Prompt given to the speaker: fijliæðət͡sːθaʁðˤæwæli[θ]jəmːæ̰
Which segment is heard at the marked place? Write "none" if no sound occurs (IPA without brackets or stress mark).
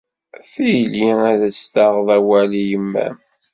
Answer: none